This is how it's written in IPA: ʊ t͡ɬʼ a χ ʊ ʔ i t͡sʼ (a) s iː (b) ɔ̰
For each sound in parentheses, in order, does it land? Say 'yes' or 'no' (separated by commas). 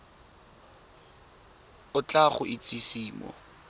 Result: no, no